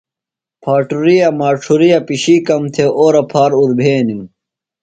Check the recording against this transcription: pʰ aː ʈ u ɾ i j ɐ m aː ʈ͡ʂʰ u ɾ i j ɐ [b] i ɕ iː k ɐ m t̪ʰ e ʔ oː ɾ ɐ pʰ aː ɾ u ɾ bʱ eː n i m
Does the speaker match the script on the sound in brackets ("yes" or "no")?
no